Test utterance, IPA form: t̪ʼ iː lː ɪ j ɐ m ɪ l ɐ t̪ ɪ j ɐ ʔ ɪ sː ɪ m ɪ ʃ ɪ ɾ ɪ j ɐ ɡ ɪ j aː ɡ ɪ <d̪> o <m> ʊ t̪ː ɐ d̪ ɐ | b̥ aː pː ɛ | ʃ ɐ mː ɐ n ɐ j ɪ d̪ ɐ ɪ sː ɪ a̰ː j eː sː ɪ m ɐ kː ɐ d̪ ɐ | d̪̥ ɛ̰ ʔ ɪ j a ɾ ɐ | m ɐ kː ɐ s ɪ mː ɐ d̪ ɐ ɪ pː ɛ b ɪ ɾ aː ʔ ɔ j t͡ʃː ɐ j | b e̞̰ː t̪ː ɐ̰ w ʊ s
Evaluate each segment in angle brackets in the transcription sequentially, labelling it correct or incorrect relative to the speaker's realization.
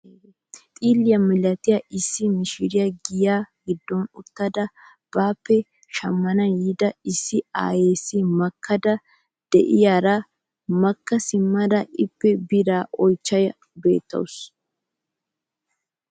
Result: incorrect: d̪ː, incorrect: n

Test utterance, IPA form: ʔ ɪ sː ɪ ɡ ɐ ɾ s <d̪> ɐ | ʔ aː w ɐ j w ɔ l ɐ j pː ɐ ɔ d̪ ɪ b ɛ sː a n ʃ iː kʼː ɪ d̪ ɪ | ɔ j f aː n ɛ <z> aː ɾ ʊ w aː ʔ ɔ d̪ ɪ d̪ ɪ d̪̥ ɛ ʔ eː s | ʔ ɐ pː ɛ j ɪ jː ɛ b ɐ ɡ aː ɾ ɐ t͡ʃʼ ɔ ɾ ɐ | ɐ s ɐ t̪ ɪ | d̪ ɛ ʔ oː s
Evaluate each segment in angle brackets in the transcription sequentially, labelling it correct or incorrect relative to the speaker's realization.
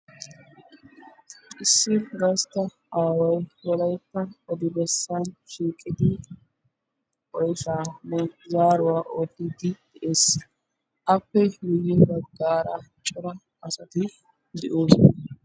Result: incorrect: t̪, correct

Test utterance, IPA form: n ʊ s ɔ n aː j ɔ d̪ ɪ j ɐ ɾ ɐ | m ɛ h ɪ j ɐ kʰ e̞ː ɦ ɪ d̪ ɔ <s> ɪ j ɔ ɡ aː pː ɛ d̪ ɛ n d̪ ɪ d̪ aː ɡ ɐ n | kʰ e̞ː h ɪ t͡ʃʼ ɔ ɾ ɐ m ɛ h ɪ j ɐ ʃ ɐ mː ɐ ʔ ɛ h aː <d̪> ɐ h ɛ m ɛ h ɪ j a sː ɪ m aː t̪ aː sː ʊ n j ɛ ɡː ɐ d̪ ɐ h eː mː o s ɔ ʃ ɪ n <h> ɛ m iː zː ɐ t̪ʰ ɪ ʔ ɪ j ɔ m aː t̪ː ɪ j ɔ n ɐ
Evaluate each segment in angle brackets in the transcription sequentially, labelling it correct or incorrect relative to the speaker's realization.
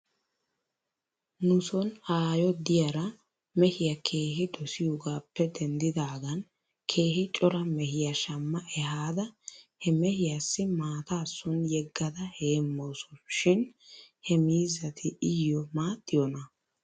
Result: correct, correct, correct

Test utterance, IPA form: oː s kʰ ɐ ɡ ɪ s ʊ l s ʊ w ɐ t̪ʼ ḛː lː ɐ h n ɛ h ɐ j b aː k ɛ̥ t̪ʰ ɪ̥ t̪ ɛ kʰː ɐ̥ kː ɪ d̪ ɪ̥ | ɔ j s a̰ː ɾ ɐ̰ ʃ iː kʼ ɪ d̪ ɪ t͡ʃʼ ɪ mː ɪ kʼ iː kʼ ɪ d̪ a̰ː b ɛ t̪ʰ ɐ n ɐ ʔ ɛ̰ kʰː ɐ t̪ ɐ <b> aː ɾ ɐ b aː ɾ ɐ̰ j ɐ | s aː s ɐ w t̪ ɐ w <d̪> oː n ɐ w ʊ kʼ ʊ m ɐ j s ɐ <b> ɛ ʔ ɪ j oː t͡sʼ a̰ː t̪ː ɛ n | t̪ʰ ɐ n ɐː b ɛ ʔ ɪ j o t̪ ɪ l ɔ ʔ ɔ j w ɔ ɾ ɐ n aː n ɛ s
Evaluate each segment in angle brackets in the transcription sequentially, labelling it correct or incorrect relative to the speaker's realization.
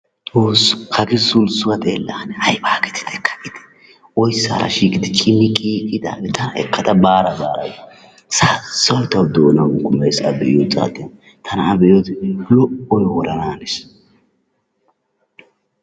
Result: correct, correct, correct

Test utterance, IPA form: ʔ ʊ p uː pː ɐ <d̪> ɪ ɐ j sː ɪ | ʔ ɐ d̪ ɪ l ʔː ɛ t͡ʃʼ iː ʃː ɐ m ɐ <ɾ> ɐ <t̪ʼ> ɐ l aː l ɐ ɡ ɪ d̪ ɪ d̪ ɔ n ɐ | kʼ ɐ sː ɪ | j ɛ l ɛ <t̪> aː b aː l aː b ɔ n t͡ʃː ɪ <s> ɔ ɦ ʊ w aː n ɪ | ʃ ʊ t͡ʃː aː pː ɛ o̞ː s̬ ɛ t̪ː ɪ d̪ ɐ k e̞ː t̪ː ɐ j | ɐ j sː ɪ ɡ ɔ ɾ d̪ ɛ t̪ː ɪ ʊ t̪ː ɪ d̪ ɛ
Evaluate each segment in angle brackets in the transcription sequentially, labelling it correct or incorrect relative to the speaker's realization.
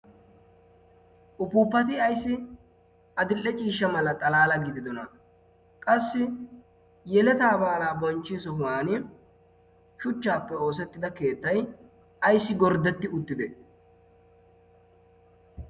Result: incorrect: t̪, incorrect: l, correct, correct, correct

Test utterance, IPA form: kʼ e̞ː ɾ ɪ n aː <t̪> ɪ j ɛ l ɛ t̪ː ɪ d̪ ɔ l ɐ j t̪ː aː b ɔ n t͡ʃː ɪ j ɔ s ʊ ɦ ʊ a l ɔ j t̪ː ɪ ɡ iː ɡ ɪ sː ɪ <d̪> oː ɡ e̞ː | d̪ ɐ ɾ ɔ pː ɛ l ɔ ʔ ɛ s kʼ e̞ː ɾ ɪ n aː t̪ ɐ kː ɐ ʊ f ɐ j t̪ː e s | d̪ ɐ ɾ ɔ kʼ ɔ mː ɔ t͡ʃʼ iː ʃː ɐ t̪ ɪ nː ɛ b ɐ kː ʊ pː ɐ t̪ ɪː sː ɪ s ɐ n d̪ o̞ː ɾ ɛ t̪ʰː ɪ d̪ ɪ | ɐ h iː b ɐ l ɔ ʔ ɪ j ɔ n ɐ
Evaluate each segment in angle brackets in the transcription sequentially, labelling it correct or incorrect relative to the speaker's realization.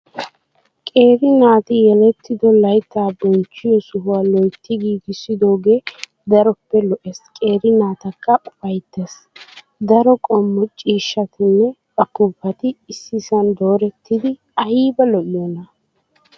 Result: correct, correct

